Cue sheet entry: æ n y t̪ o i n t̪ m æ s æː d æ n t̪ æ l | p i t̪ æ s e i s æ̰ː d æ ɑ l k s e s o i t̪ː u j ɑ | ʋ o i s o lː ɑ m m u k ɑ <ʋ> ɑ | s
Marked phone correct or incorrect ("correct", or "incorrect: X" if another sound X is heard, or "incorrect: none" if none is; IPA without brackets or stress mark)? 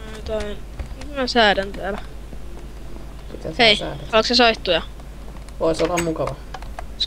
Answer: correct